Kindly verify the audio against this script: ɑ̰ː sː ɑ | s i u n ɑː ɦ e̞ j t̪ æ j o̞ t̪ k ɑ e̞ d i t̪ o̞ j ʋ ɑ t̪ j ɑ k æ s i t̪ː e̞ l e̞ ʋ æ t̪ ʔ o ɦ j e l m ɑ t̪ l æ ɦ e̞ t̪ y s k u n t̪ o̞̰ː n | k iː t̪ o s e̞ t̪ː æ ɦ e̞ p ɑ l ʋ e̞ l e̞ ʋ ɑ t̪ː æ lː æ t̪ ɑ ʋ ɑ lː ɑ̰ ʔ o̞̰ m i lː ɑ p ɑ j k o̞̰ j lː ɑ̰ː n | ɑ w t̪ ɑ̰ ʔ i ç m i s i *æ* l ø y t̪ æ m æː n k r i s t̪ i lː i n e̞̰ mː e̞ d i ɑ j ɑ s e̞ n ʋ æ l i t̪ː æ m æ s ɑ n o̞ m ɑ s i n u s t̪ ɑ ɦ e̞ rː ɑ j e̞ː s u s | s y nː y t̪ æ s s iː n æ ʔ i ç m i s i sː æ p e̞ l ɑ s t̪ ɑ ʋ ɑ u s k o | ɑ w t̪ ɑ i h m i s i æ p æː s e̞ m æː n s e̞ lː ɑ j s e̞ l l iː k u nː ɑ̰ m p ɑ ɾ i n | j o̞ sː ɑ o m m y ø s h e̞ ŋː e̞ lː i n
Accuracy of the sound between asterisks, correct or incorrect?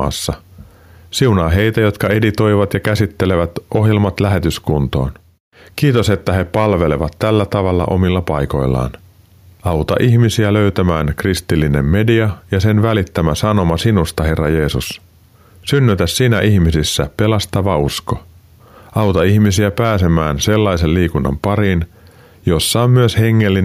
correct